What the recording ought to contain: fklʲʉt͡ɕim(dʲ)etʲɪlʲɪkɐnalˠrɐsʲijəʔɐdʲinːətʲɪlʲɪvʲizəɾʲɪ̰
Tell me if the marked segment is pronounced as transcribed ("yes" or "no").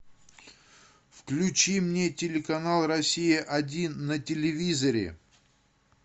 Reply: no